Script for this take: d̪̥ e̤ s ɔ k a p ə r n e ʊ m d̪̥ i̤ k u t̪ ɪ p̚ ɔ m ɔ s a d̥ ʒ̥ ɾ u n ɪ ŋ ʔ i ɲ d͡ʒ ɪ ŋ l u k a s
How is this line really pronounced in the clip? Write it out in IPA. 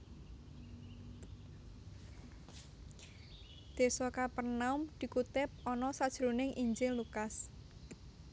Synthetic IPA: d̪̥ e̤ s ɔ k a p ə r n a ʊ m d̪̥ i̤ k u t̪ ɪ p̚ ɔ n ɔ s a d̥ ʒ̥ ɾ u n ɪ ŋ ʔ i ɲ d͡ʒ ɪ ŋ l u k a s